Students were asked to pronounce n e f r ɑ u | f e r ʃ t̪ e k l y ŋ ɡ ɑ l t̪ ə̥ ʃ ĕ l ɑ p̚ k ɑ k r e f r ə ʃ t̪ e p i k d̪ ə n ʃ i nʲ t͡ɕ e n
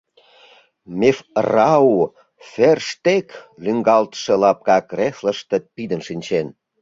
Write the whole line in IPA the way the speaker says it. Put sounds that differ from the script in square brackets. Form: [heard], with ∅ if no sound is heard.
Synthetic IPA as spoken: [m] e f r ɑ u | f e r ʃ t̪ e k l y ŋ ɡ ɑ l t̪ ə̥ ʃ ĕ l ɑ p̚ k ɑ k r e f [l] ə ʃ t̪ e p i [∅] d̪ ə n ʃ i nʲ t͡ɕ e n

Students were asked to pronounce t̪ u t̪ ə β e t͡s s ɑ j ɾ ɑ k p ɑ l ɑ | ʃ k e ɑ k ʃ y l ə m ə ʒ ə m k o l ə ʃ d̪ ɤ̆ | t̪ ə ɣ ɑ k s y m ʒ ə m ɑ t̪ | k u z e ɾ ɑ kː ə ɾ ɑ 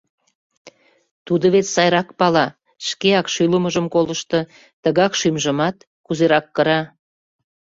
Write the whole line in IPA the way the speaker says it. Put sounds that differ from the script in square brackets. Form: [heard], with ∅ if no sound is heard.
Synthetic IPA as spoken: t̪ u [d̪] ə β e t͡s s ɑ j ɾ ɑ k p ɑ l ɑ | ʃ k e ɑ k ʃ y l ə m ə ʒ ə m k o l ə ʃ [t̪] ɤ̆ | t̪ ə ɣ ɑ k [ʃ] y m ʒ ə m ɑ t̪ | k u z e ɾ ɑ kː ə ɾ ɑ

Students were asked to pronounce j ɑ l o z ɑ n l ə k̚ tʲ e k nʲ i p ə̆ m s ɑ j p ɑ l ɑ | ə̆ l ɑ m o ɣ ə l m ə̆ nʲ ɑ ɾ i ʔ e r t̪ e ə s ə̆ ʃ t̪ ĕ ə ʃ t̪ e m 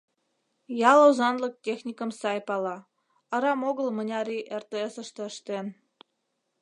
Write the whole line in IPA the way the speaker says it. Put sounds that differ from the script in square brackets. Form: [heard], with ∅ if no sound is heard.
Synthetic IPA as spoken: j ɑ l o z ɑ n l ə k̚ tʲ e [x] nʲ i [k] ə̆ m s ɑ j p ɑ l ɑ | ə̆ [ɾ] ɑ m o ɣ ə l m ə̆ nʲ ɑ ɾ i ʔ e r t̪ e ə s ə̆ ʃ t̪ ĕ ə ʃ t̪ e [n]

